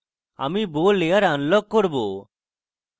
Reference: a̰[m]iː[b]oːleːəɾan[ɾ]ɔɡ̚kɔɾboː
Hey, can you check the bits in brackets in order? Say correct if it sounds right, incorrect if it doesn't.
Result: correct, correct, incorrect: l

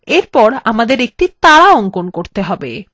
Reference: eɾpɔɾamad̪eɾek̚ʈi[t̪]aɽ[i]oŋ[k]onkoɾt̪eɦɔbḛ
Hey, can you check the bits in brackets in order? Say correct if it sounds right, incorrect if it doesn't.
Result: correct, incorrect: a, correct

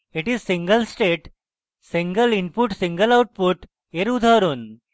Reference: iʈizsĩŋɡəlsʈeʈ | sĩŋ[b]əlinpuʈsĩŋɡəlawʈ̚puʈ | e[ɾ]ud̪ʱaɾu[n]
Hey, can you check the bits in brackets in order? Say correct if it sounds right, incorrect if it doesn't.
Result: incorrect: ɡ, correct, correct

